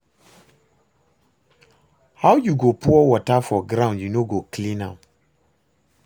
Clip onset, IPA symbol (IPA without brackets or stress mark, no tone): h